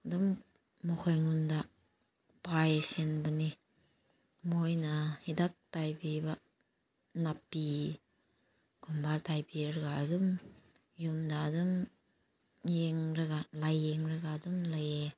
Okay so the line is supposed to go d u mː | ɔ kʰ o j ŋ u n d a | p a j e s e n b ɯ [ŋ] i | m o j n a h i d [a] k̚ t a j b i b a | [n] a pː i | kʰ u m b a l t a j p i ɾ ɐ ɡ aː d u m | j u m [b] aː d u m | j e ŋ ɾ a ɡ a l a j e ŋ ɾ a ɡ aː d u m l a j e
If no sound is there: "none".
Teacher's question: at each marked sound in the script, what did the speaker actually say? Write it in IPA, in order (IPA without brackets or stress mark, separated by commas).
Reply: n, a, n, d